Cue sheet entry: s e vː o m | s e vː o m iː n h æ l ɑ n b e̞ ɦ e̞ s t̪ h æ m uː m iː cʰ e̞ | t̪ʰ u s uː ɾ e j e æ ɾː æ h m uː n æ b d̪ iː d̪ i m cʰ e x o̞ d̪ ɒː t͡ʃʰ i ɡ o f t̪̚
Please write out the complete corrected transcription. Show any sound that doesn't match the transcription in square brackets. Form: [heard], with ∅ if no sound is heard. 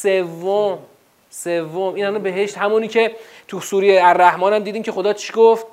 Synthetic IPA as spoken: s e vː o m | s e vː o m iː n h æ l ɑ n b e̞ ɦ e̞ [ʃ] t̪ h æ m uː [n] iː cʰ e̞ | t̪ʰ u s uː ɾ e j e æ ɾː æ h m [ɒː] n æ [m] d̪ iː d̪ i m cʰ e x o̞ d̪ ɒː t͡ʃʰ i ɡ o f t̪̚